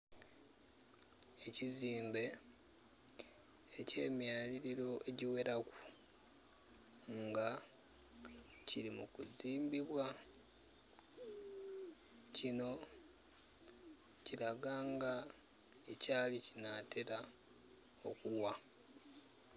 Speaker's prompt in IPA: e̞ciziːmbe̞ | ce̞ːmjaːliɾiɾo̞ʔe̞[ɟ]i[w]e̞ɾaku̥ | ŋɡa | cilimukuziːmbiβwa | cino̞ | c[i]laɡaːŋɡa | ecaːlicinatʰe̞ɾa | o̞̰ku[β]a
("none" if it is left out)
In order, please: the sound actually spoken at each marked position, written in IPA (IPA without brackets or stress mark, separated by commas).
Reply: ɟ, w, i, w